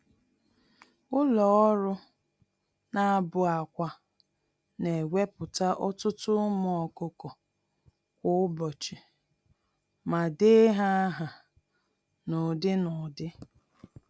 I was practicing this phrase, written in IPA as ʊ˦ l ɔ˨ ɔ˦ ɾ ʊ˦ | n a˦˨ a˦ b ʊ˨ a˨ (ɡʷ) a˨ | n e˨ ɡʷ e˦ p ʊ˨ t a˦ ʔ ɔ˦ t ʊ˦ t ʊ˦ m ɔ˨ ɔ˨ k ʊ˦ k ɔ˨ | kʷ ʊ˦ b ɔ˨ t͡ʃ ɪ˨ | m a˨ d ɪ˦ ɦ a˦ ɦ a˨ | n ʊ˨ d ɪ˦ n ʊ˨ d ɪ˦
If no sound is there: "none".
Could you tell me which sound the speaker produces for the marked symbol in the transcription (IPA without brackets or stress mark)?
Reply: kʷ